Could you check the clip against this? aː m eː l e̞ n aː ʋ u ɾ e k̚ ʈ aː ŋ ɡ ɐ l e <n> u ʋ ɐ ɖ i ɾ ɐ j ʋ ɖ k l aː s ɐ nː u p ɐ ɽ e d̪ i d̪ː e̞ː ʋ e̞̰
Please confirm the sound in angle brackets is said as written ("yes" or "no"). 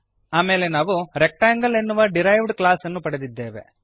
no